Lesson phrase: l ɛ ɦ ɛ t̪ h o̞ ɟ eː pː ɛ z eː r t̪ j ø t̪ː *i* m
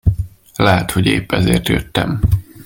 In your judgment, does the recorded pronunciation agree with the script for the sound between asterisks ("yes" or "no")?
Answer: no